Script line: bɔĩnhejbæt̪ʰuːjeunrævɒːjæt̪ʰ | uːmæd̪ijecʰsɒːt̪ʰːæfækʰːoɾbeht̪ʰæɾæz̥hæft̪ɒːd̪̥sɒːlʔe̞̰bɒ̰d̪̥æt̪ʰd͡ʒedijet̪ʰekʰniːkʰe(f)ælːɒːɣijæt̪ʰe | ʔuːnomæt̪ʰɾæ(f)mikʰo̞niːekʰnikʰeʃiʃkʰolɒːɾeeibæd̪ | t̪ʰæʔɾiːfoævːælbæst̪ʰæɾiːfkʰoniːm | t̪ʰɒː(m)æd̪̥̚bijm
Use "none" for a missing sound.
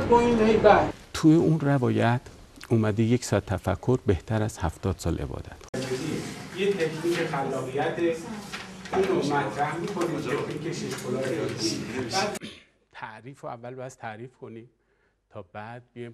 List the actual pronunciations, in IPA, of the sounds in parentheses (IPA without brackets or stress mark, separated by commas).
x, h, b